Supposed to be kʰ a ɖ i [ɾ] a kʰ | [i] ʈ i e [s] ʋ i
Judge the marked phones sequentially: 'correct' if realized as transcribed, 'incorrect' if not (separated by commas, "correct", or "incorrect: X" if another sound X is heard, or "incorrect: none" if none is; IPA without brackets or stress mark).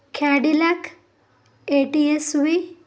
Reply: incorrect: l, incorrect: e, correct